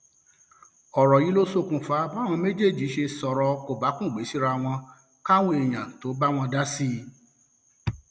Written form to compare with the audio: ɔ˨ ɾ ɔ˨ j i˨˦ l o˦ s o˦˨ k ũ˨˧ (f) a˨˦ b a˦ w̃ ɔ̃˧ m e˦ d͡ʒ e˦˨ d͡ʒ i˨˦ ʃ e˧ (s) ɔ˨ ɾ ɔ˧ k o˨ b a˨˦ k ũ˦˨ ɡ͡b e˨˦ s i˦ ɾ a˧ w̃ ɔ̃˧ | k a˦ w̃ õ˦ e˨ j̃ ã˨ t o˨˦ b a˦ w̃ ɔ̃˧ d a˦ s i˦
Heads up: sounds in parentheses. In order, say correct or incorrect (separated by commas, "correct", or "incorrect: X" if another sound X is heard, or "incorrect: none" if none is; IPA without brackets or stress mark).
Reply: correct, correct